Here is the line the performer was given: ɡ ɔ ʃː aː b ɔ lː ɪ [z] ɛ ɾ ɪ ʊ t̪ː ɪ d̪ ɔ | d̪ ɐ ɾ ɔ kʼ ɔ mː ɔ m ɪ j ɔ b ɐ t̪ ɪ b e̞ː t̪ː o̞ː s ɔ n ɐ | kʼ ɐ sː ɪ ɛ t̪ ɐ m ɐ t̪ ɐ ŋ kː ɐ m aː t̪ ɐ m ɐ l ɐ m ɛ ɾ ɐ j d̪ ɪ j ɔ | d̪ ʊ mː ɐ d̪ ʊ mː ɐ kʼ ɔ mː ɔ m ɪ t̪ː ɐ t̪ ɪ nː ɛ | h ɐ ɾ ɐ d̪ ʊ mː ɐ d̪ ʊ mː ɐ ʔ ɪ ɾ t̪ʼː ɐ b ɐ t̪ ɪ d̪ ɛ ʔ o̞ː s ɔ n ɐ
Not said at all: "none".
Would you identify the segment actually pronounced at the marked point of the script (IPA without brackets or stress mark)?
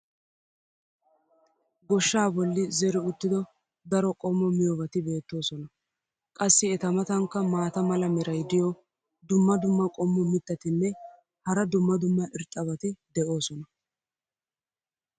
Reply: z